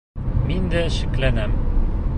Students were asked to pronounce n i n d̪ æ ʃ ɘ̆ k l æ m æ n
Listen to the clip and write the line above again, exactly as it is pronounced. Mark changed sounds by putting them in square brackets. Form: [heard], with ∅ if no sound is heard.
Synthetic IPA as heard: [m] i n d̪ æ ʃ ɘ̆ k l æ [n] æ [m]